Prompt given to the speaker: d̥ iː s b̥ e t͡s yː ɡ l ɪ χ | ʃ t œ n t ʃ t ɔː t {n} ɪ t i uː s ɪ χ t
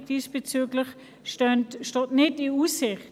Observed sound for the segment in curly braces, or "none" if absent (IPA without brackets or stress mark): n